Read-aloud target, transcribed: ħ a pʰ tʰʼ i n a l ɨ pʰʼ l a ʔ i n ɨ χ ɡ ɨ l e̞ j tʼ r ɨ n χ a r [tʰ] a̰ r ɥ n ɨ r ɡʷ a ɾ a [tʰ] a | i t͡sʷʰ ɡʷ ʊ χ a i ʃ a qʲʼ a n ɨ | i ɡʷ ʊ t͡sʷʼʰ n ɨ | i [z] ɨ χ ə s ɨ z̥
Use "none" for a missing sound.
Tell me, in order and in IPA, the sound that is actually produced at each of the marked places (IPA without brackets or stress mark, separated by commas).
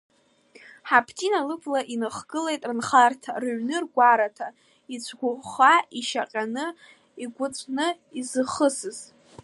tʰ, tʰ, z